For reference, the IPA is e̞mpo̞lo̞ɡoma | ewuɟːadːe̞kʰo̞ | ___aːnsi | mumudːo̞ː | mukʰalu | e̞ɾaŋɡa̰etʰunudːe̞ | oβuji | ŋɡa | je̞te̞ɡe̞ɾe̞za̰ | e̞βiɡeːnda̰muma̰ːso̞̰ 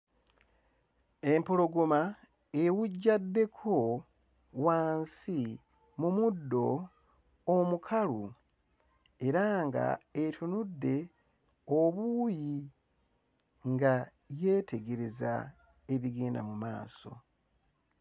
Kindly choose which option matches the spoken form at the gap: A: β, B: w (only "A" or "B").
B